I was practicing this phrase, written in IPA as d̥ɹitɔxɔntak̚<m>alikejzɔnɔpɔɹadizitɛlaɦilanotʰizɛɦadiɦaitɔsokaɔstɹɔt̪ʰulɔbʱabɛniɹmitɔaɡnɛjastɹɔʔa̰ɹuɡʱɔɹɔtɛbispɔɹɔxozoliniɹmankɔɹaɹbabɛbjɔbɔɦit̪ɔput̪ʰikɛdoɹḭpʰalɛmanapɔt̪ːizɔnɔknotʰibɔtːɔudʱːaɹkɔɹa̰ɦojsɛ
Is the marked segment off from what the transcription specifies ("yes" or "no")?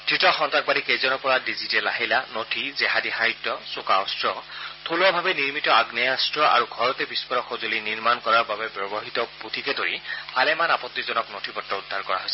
yes